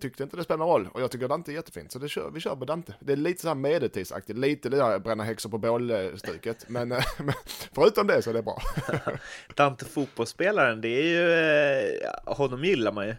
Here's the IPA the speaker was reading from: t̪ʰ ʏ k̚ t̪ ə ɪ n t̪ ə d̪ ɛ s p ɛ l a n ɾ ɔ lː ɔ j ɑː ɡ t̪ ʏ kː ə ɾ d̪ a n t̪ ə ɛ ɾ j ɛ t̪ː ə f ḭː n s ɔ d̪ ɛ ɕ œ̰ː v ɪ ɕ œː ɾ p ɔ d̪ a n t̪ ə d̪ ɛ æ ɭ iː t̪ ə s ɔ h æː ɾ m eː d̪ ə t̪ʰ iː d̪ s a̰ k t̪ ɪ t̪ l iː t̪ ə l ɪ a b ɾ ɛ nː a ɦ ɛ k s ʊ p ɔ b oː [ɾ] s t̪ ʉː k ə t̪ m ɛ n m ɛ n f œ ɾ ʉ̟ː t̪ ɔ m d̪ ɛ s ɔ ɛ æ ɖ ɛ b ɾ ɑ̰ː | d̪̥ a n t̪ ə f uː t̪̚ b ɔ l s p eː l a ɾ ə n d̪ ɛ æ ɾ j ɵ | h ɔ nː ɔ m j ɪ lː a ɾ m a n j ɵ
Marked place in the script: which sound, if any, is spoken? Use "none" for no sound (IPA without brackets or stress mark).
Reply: l